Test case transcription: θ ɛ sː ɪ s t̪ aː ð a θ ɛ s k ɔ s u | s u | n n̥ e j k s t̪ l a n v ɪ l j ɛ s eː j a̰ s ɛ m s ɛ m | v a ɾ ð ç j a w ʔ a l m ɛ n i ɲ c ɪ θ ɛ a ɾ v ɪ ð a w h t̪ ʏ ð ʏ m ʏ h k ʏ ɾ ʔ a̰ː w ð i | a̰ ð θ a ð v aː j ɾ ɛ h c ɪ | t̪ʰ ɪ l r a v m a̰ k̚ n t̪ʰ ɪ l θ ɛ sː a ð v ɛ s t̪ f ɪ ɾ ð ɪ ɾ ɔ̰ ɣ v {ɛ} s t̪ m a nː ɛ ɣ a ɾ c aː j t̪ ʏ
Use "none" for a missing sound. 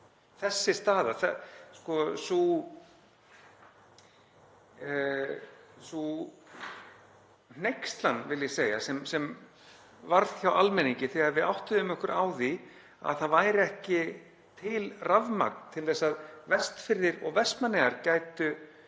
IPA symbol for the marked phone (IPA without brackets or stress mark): ɛ